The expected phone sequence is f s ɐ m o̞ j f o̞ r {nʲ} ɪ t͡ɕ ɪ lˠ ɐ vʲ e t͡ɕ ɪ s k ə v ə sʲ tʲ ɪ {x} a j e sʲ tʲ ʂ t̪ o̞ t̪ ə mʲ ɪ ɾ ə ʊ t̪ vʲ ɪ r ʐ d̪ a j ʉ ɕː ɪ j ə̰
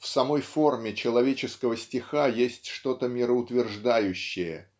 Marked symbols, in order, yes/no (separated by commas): no, yes